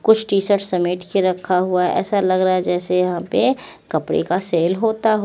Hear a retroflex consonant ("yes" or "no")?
yes